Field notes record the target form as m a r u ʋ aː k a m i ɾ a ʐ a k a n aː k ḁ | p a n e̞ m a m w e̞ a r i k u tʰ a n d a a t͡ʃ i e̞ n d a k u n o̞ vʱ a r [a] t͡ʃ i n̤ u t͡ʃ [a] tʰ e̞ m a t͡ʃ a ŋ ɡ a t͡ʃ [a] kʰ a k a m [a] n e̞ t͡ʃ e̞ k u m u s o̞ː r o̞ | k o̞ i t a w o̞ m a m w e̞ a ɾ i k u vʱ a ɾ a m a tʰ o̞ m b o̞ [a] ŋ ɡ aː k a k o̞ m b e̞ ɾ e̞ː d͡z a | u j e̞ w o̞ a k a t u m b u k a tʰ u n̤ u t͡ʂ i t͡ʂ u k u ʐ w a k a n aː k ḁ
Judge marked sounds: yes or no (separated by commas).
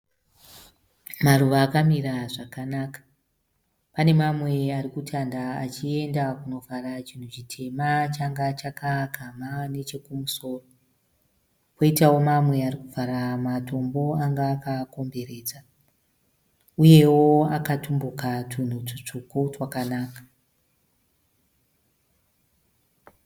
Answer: yes, no, yes, yes, yes